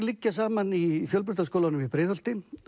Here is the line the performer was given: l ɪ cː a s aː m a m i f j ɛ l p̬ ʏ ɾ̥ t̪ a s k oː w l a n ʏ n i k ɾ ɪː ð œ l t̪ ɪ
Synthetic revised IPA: l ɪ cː a s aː m a n i f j œ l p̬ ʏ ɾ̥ t̪ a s k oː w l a n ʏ m i p ɾ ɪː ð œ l t̪ ɪ